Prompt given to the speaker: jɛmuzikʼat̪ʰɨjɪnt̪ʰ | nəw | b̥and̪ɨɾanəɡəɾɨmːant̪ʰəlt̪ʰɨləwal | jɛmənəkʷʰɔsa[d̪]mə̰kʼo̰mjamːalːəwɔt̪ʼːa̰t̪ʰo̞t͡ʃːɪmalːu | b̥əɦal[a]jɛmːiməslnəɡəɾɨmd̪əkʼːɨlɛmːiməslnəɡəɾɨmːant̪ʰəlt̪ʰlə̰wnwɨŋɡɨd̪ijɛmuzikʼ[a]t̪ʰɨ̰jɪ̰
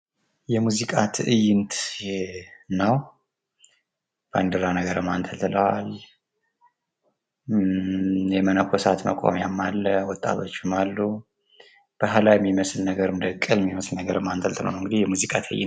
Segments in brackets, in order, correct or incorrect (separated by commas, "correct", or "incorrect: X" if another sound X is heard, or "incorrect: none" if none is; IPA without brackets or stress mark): incorrect: t̪, correct, correct